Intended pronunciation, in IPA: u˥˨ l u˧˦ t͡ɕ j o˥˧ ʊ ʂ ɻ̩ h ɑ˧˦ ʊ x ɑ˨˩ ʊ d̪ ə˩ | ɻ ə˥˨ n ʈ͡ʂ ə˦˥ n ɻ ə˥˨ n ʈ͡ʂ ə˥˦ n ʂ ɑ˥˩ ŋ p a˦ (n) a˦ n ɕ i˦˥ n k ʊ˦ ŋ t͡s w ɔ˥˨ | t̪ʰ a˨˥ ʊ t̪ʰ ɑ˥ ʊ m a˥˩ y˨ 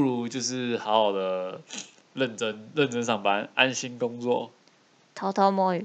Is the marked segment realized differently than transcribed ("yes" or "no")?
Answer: no